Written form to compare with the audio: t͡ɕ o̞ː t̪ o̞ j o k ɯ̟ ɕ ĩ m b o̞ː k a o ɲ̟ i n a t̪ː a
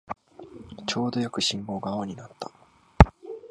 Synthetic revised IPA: t͡ɕ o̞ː d̪ o̞ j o k ɯ̟ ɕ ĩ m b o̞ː ɡ a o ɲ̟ i n a t̪ː a